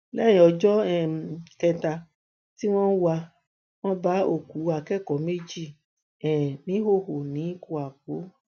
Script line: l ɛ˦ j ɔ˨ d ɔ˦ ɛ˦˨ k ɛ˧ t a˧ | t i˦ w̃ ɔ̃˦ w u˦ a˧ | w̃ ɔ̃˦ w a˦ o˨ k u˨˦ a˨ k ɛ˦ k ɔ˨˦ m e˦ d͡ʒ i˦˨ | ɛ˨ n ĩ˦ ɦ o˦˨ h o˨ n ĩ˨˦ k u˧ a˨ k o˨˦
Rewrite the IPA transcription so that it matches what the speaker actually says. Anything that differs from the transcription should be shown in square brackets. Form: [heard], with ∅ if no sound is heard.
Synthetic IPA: l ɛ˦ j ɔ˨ [d͡ʒ] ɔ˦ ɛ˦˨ k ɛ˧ t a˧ | t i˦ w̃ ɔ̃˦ w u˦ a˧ | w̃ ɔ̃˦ [b] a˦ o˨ k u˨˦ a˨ k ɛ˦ k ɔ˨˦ m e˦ d͡ʒ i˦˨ | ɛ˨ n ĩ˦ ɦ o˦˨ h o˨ n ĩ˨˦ k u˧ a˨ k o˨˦